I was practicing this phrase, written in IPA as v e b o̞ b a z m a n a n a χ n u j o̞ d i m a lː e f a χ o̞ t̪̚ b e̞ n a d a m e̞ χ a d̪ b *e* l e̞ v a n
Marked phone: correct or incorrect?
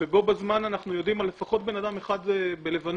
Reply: correct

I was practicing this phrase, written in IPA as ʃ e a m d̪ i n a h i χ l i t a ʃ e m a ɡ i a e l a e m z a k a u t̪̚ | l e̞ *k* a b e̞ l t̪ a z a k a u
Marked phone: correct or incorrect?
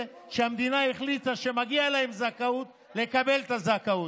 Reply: correct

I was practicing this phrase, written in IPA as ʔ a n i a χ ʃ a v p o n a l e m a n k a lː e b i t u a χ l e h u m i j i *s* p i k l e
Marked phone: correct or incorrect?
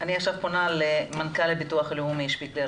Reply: incorrect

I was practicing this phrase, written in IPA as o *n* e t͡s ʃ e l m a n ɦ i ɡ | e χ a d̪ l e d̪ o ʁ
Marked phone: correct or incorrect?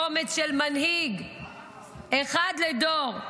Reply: incorrect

